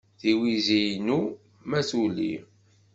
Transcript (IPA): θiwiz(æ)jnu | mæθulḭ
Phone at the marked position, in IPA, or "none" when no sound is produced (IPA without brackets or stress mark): i